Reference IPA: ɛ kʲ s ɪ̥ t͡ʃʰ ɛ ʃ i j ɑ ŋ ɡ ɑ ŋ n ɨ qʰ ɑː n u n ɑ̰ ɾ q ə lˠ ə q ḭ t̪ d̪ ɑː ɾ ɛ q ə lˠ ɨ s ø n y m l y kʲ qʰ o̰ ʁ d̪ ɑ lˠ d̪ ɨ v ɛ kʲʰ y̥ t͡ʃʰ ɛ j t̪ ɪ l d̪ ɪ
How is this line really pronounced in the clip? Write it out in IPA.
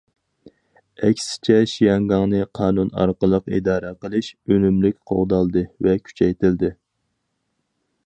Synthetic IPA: ɛ kʲ s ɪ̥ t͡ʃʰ ɛ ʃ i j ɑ ŋ ɡ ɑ ŋ n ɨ qʰ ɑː n u n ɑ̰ ɾ q ə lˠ ə q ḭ d̪ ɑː ɾ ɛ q ə lˠ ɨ ʃ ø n y m l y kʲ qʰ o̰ ʁ d̪ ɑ lˠ d̪ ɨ v ɛ kʲʰ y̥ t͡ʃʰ ɛ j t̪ ɪ l d̪ ɪ